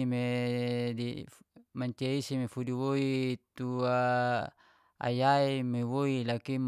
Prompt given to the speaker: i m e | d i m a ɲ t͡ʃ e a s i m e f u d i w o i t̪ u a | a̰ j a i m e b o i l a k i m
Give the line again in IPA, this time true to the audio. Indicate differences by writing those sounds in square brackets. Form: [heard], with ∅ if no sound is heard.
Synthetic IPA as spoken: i m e | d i m a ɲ t͡ʃ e [i] s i m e f u d i w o i t̪ u a | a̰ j a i m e [w] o i l a k i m